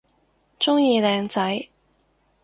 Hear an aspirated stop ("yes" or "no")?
no